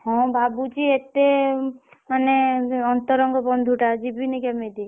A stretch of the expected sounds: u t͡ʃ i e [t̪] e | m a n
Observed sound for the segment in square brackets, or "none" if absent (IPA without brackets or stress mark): t̪